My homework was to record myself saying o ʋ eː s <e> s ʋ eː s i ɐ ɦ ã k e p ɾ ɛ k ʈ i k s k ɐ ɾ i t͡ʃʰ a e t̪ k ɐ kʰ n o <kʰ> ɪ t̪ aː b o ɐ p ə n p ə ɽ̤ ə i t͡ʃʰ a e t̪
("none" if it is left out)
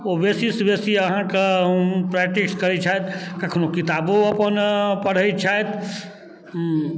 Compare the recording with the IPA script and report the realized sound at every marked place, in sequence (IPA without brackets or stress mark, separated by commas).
i, k